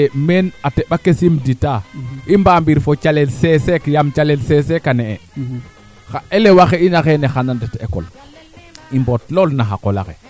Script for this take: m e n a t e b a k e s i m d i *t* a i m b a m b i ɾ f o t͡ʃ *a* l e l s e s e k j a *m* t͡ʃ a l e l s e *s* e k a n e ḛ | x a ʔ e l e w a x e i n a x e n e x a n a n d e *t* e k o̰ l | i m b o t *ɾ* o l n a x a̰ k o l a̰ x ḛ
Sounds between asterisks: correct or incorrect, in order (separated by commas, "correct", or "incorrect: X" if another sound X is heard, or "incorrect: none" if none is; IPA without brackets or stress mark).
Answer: correct, correct, correct, correct, correct, incorrect: l